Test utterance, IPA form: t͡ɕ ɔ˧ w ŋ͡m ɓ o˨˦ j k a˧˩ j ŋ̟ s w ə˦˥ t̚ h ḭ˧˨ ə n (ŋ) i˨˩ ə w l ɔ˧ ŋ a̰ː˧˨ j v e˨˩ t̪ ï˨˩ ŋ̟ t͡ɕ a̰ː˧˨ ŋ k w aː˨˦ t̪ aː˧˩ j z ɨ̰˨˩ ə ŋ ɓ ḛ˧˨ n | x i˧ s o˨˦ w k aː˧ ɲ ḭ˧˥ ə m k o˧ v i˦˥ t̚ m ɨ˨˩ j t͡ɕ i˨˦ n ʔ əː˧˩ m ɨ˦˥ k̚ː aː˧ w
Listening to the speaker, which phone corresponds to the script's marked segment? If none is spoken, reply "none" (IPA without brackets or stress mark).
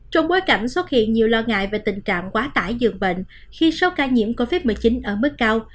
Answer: ɲ